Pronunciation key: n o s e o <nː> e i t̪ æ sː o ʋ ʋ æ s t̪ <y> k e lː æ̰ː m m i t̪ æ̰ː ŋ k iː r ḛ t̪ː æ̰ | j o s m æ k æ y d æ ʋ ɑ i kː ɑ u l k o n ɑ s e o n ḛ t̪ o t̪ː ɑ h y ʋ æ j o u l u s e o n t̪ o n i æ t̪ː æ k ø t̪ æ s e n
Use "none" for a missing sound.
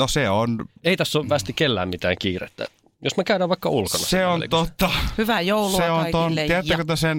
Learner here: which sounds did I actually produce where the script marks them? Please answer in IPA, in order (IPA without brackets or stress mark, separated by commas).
n, i